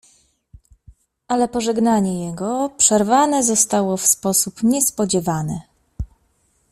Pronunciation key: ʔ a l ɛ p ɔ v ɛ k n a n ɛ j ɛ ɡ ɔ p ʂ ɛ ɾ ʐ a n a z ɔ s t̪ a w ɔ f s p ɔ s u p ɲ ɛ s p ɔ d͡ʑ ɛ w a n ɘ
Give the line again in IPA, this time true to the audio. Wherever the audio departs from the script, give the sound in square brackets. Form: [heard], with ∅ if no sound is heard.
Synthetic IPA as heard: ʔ a l ɛ p ɔ [ʐ] ɛ [ɡ] n a [ɲ] ɛ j ɛ ɡ ɔ p ʂ ɛ ɾ [v] a n [ɛ] z ɔ s t̪ a w ɔ f s p ɔ s u p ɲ ɛ s p ɔ d͡ʑ ɛ [v] a n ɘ